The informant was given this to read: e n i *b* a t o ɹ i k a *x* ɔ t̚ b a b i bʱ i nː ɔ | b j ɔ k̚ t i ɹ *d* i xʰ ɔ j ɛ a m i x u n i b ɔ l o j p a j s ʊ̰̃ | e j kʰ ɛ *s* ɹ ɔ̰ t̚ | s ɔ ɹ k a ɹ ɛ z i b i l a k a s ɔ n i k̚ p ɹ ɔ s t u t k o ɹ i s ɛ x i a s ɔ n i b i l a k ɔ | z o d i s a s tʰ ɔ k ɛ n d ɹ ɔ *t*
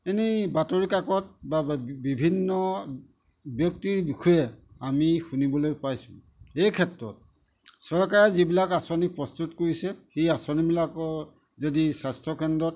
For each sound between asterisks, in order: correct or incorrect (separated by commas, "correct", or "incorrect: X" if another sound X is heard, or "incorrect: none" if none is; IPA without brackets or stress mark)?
correct, incorrect: k, incorrect: b, incorrect: t, correct